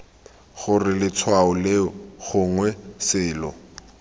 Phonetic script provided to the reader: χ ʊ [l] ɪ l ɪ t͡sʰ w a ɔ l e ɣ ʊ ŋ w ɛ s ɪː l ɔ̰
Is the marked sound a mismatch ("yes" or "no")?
yes